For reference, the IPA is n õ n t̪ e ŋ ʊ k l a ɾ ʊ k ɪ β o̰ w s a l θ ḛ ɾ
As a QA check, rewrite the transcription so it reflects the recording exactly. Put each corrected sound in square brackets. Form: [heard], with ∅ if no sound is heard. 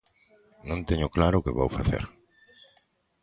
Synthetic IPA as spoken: n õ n t̪ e [ɲ] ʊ k l a ɾ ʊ k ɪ β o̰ w [f] a [∅] θ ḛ ɾ

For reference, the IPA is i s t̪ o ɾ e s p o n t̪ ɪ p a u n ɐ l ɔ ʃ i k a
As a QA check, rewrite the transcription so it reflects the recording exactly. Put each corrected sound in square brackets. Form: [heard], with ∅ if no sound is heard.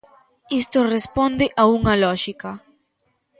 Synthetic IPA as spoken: i s t̪ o [r] e s p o n [d̪] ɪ [ʔ] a u [ŋ] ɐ l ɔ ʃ i k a

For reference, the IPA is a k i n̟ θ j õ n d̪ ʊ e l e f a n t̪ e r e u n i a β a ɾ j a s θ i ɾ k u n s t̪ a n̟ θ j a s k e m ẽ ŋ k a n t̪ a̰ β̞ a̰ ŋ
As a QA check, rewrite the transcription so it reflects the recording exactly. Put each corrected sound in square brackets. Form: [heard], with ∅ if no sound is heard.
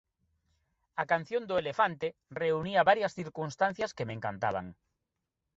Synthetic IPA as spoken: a k [a] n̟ θ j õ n d̪ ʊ e l e f a n t̪ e r e u n i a β a ɾ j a s θ i ɾ k u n s t̪ a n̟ θ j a s k e m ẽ ŋ k a n t̪ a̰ β̞ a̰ ŋ

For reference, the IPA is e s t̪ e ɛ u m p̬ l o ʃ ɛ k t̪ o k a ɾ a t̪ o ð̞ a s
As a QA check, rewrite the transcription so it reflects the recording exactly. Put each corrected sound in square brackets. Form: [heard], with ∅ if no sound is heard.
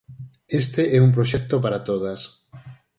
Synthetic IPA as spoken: e s t̪ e ɛ u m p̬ [ɾ] o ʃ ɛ k t̪ o [p] a ɾ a t̪ o ð̞ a s

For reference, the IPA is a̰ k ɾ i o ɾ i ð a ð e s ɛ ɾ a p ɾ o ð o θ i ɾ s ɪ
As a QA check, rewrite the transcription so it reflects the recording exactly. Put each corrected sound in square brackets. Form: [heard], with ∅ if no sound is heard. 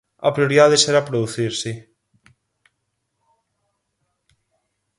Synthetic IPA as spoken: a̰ [p] ɾ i o ɾ i ð a ð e s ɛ ɾ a p ɾ o ð [u] θ i ɾ s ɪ

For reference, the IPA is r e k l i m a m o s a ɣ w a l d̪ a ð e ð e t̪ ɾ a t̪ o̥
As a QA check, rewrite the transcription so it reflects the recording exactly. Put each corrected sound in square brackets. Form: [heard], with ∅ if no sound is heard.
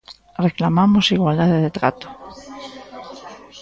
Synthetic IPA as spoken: r e k l [a] m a m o s [i] ɣ w a l d̪ a ð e ð e t̪ ɾ a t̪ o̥

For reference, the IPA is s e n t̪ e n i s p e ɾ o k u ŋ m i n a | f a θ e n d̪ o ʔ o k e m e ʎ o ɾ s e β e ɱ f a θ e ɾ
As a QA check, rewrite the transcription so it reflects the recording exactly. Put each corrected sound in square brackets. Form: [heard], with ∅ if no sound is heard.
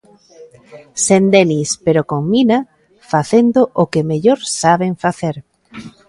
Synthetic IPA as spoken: s e n [d̪] e n i s p e ɾ o k [o] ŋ m i n a | f a θ e n d̪ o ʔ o k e m e ʎ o ɾ s [a] β e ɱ f a θ e ɾ

